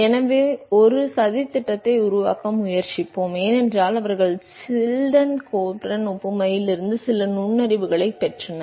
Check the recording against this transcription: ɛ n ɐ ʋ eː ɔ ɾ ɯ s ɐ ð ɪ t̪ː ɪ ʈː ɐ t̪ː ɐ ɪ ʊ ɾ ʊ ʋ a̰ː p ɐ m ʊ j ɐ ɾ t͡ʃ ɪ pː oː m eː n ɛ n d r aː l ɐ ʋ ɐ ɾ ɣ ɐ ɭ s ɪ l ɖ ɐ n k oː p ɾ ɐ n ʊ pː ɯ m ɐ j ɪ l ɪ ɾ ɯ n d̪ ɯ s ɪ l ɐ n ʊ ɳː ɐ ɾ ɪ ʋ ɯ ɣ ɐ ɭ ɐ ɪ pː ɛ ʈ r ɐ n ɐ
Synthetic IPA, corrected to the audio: ɛ n ɐ ʋ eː ɔ ɾ ɯ s ɐ ð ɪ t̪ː ɪ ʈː ɐ t̪ː ɐ ɪ ʊ ɾ ʊ ʋ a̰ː k ɐ m ʊ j ɐ ɾ t͡ʃ ɪ pː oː m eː n ɛ n d r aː l ɐ ʋ ɐ ɾ ɣ ɐ ɭ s ɪ l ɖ ɐ n k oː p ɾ ɐ n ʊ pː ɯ m ɐ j ɪ l ɪ ɾ ɯ n d̪ ɯ s ɪ l ɐ n ʊ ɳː ɐ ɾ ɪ ʋ ɯ ɣ ɐ ɭ ɐ ɪ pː ɛ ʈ r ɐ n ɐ